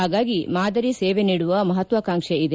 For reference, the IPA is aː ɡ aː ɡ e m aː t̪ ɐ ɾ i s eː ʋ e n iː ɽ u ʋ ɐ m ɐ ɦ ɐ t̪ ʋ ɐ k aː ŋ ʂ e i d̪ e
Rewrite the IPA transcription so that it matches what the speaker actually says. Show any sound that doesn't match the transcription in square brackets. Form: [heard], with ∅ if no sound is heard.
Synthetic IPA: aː ɡ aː ɡ [i] m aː [d̪] ɐ ɾ i s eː ʋ e n iː ɽ u ʋ ɐ m ɐ ɦ ɐ t̪ ʋ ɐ k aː ŋ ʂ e i d̪ e